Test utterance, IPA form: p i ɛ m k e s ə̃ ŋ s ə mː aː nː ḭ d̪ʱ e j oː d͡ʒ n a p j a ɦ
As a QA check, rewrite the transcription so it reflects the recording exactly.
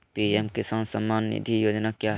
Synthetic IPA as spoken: p i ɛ m k e s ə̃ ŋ s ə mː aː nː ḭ d̪ʱ i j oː d͡ʒ n a k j a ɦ